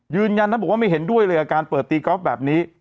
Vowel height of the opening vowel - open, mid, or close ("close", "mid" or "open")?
close